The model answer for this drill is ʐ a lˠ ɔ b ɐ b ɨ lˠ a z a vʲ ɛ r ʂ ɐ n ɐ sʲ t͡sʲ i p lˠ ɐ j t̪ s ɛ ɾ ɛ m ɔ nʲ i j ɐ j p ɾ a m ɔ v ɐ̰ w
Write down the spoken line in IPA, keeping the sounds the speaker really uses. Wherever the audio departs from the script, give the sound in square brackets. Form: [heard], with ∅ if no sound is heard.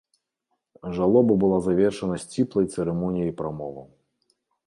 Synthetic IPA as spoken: ʐ a lˠ ɔ b ɐ b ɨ lˠ a z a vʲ ɛ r ʂ ɐ n ɐ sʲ t͡sʲ i p lˠ ɐ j t̪ s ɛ ɾ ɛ m ɔ nʲ i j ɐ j p ɾ a m ɔ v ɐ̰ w